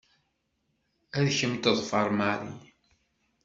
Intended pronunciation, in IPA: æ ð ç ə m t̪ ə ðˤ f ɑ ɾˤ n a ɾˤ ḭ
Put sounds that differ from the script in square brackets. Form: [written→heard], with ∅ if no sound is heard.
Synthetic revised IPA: æ ð ç ə m t̪ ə ðˤ f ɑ ɾˤ [n→m] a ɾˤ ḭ